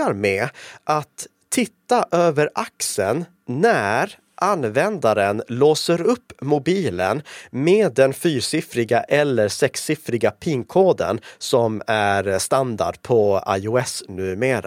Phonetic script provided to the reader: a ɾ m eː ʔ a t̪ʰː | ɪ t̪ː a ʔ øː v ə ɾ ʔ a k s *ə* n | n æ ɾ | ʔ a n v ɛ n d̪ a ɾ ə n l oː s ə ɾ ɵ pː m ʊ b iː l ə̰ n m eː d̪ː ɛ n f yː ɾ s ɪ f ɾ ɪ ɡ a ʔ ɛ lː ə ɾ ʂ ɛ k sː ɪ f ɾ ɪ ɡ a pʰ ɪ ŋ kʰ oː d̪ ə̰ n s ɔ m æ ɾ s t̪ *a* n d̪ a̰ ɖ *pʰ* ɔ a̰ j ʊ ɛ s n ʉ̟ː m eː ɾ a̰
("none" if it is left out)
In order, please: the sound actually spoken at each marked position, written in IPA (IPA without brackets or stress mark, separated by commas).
ə, a, pʰ